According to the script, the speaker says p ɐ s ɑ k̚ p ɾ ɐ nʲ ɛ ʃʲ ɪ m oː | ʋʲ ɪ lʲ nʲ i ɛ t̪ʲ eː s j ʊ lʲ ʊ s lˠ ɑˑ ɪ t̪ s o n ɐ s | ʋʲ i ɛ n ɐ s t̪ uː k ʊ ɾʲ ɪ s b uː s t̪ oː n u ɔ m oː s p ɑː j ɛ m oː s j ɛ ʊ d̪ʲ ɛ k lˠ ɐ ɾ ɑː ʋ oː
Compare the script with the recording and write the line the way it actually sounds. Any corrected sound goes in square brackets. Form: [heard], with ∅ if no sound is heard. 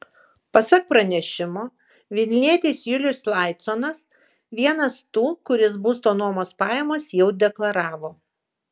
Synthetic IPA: p ɐ s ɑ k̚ p ɾ ɐ nʲ ɛ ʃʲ ɪ m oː | ʋʲ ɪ lʲ nʲ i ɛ t̪ʲ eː s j ʊ lʲ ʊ s lˠ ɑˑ ɪ t̪ s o n ɐ s | ʋʲ i ɛ n ɐ s t̪ uː k ʊ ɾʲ ɪ s b uː s t̪ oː n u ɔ m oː s p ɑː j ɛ m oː s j ɛ ʊ d̪ʲ ɛ k lˠ ɐ ɾ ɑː ʋ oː